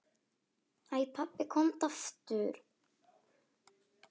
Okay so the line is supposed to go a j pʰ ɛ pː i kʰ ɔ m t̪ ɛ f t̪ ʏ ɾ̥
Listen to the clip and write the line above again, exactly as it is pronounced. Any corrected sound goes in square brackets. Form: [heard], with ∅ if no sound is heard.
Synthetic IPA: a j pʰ [a] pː [ɪ] kʰ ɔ m t̪ [a] f t̪ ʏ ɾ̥